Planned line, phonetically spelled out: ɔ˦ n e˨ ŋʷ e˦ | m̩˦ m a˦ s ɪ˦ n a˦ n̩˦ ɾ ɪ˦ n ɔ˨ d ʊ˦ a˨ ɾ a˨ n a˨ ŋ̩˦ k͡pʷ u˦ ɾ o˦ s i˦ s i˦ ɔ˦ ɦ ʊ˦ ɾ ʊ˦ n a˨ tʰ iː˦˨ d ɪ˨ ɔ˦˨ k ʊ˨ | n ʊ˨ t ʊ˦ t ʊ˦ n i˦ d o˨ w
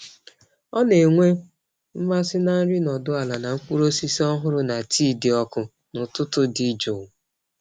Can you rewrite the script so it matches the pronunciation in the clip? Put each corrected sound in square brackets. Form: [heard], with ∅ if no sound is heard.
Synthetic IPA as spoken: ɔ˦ n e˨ ŋʷ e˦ | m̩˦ m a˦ s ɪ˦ n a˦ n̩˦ ɾ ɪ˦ n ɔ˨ d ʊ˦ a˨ [l] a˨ n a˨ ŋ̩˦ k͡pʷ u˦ ɾ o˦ s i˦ s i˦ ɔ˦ ɦ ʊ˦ ɾ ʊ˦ n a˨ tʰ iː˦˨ d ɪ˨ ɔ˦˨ k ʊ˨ | n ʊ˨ t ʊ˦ t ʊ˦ [d] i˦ [d͡ʒ] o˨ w